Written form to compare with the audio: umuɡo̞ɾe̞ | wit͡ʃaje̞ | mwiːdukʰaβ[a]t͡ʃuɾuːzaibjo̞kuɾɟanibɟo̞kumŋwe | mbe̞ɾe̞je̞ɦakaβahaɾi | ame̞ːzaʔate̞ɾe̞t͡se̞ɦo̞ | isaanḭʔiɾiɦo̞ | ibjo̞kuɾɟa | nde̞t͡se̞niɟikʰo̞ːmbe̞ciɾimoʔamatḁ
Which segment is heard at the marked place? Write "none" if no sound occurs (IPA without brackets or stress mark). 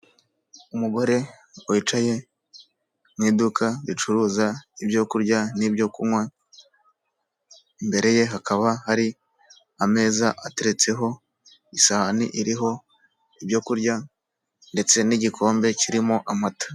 i